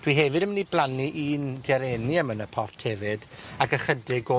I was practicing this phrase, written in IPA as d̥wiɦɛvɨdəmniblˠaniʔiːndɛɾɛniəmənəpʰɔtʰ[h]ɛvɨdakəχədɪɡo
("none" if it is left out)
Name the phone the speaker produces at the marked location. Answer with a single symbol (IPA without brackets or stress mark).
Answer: h